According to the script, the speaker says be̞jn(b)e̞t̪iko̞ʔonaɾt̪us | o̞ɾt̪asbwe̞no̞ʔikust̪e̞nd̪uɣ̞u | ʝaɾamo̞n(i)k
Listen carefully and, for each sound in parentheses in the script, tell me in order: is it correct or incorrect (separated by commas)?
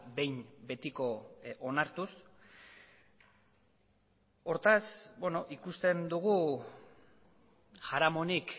correct, correct